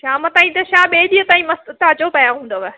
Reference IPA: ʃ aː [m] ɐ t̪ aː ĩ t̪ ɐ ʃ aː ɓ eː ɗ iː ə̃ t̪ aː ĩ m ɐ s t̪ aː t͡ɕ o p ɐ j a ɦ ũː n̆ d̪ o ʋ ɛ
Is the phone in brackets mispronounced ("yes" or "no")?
no